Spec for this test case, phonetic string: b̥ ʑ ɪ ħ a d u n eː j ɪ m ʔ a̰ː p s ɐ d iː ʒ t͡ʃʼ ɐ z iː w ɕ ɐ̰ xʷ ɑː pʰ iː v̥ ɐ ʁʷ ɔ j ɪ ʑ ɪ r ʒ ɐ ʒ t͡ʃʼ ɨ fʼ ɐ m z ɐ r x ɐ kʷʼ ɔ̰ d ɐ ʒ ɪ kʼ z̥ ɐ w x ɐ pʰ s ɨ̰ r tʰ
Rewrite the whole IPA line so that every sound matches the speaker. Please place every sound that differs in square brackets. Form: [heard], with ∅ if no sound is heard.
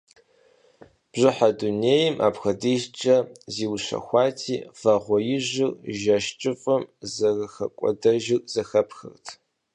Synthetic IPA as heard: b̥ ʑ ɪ ħ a d u n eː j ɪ m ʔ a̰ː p [x] ɐ d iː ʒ t͡ʃʼ ɐ z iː w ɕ ɐ̰ xʷ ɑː [tʰ] iː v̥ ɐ ʁʷ ɔ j ɪ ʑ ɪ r ʒ ɐ [ʃ] t͡ʃʼ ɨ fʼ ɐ m z ɐ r x ɐ kʷʼ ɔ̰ d ɐ ʒ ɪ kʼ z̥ ɐ [∅] x ɐ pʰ [x] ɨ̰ r tʰ